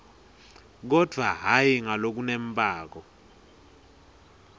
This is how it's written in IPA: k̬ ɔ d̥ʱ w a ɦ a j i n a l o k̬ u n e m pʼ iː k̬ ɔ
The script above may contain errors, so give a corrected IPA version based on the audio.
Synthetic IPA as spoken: k̬ ɔ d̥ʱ w a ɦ a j i ŋ a l o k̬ u n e m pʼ aː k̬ ɔ

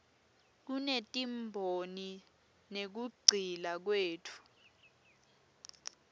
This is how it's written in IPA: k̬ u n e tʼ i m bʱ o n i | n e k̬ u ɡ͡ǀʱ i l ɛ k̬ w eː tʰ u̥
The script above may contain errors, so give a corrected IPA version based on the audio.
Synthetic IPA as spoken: k̬ u n e tʼ i m bʱ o n i | n e k̬ u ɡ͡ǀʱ i l a k̬ w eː tʰ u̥

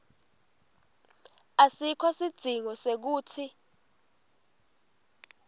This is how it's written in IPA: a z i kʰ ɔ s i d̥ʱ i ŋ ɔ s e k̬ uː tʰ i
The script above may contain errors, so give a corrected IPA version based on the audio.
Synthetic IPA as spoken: a s i kʰ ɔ s i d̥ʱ i ŋ ɔ s e k̬ uː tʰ i

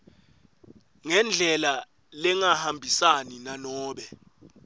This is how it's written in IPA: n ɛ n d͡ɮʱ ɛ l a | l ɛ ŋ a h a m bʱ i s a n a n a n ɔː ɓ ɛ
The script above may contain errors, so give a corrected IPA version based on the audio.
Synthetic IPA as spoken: ŋ ɛ n d͡ɮʱ ɛ l a | l ɛ ŋ a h a m bʱ i s a n i n a n ɔː ɓ ɛ

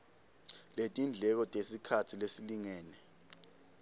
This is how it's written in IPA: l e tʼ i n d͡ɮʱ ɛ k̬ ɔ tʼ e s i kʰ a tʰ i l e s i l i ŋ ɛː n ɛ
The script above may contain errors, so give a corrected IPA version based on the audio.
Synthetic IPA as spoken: l e tʼ i n d͡ɮʱ ɛ k̬ ɔ tʼ e s i kʰ a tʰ i l e s i l i ŋ ɛː n ɛ

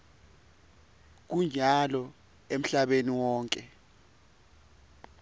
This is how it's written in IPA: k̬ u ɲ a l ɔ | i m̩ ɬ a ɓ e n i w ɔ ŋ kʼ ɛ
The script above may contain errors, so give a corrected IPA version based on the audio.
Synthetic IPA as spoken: k̬ u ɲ a l ɔ | e m̩ ɬ a ɓ e n i w ɔː ŋ kʼ ɛ

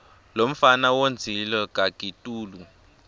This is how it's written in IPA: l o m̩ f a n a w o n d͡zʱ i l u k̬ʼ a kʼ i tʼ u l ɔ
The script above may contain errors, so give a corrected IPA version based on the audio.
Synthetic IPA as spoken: l o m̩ f a n a w o n d͡zʱ i l ɔ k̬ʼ a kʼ i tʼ uː l u

